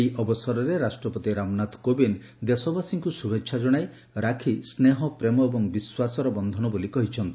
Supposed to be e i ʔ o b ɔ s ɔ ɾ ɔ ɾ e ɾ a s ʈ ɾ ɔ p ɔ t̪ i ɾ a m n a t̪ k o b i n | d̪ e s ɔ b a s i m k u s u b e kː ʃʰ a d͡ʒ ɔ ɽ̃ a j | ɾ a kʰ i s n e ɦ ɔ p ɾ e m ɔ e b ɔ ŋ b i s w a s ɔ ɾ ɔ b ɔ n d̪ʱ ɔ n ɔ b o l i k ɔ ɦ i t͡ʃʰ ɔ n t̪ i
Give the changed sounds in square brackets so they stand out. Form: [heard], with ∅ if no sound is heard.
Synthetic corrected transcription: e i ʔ [ɔ] b ɔ s ɔ ɾ ɔ ɾ e ɾ a s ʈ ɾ ɔ p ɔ t̪ i ɾ a m n a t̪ k o b i n | d̪ e s ɔ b a s i [ŋ] k u s u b e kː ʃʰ a d͡ʒ ɔ ɽ̃ a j | ɾ a kʰ i s n e ɦ ɔ p ɾ e m ɔ e b ɔ ŋ b i s w a s ɔ ɾ ɔ b ɔ n d̪ʱ ɔ n ɔ b o l i k ɔ ɦ i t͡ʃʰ ɔ n t̪ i

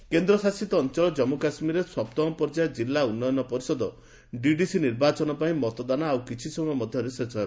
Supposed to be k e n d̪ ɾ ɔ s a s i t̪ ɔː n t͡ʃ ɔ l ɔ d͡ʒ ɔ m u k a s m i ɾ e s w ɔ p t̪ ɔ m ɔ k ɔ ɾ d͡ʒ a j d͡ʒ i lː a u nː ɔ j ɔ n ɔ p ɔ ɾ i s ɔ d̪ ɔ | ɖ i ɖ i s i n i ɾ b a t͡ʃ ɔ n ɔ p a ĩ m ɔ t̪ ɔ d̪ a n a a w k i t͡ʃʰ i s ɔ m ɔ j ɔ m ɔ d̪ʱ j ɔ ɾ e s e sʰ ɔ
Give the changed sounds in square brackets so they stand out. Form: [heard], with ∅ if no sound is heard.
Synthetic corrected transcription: k e n d̪ ɾ ɔ s a s i t̪ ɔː n t͡ʃ ɔ l ɔ d͡ʒ ɔ m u k a s m i ɾ e s w ɔ p t̪ ɔ m ɔ [p] ɔ ɾ d͡ʒ a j d͡ʒ i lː a u nː ɔ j ɔ n ɔ p ɔ ɾ i s ɔ d̪ ɔ | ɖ i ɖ i s i n i ɾ b a t͡ʃ ɔ n ɔ p a ĩ m ɔ t̪ ɔ d̪ a n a a w k i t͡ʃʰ i s ɔ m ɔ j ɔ m ɔ d̪ʱ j ɔ ɾ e s e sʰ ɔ

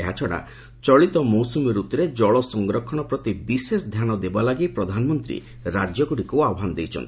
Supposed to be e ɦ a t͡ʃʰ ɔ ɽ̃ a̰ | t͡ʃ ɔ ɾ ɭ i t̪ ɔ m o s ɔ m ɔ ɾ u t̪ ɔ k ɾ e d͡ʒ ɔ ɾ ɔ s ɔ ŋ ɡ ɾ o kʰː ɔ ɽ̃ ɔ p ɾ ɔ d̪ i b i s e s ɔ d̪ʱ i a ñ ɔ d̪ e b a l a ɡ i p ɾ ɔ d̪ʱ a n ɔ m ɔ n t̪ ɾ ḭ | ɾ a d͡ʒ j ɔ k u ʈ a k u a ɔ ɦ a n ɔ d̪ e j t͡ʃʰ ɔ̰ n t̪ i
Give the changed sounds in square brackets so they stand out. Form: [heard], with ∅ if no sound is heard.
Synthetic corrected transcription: e ɦ a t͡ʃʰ ɔ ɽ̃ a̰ | t͡ʃ ɔ [∅] ɭ i t̪ ɔ m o s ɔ m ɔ ɾ u t̪ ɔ [∅] ɾ e d͡ʒ ɔ [ɭ] ɔ s ɔ ŋ ɡ ɾ [ɔ] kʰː ɔ ɽ̃ ɔ p ɾ ɔ [t̪] i b i s e s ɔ d̪ʱ [j] a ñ ɔ d̪ e b a l a ɡ i p ɾ ɔ d̪ʱ a n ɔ m ɔ n t̪ ɾ ḭ | ɾ a d͡ʒ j ɔ k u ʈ [i] k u a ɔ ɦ a n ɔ d̪ e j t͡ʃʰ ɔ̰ n t̪ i

